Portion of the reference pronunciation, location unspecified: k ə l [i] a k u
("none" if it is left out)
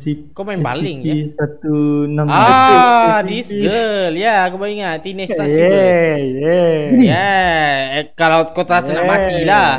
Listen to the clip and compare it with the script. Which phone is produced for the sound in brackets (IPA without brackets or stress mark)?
j